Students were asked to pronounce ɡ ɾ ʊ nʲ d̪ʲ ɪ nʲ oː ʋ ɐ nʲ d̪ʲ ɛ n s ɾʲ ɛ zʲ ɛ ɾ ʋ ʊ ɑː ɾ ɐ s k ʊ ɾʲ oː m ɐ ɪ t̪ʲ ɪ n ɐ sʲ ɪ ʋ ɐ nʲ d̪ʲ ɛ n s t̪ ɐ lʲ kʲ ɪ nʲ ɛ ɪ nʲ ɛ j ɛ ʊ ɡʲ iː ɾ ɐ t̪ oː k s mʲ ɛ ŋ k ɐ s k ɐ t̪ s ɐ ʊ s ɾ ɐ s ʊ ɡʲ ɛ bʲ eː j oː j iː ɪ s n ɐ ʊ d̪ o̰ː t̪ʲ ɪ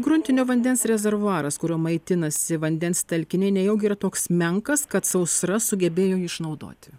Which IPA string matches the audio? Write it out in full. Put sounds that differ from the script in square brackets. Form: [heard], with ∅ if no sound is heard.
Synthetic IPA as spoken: ɡ ɾ ʊ nʲ [t̪ʲ] ɪ nʲ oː ʋ ɐ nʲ d̪ʲ ɛ n s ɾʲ ɛ zʲ ɛ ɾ ʋ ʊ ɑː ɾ ɐ s k ʊ ɾʲ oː m ɐ ɪ t̪ʲ ɪ n ɐ sʲ ɪ ʋ ɐ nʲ d̪ʲ ɛ n s t̪ ɐ lʲ kʲ ɪ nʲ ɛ ɪ nʲ ɛ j ɛ ʊ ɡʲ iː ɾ ɐ t̪ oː k s mʲ ɛ ŋ k ɐ s k ɐ t̪ s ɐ ʊ s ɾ ɐ s ʊ ɡʲ ɛ bʲ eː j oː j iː ɪ [ʃ] n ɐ ʊ d̪ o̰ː t̪ʲ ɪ